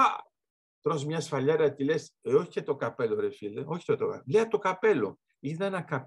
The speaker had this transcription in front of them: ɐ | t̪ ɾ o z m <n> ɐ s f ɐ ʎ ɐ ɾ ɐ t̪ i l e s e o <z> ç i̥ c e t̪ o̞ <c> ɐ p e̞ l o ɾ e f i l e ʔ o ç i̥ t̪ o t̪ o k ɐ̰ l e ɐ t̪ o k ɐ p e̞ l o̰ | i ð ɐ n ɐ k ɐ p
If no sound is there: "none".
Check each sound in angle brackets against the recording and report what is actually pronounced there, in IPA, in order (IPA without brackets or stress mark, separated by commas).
ɲ, none, k